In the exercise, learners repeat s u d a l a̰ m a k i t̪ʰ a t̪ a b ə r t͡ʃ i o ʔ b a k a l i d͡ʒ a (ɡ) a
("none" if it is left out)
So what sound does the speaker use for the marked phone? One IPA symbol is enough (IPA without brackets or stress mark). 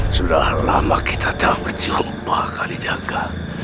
ɡ